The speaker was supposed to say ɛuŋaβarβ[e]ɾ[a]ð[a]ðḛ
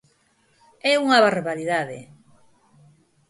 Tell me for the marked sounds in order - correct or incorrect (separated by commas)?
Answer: incorrect, incorrect, correct